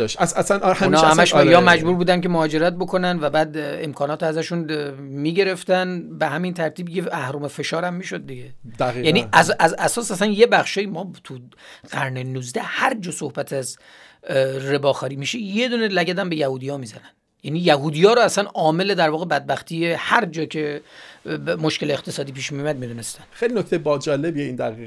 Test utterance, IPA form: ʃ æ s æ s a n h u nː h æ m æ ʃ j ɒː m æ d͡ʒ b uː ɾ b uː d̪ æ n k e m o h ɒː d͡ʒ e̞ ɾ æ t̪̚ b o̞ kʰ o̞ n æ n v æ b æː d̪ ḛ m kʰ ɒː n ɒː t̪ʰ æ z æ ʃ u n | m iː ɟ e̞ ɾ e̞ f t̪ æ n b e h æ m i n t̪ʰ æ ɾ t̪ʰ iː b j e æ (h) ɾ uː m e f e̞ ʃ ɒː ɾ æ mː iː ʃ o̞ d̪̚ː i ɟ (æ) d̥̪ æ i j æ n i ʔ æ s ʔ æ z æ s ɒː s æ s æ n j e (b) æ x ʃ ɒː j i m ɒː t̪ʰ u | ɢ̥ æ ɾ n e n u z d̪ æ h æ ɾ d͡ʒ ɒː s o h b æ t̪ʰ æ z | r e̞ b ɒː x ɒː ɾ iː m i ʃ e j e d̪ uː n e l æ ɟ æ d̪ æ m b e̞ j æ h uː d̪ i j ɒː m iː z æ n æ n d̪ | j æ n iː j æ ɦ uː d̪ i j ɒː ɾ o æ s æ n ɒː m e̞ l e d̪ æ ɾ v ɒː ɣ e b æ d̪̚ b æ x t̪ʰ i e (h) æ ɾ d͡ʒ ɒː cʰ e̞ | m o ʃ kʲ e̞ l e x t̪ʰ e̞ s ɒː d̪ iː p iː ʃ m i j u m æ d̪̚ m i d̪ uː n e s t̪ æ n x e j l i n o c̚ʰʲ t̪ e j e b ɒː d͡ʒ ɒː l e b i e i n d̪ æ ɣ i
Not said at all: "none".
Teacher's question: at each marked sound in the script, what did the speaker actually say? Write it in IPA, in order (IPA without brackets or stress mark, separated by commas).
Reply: h, e, b, h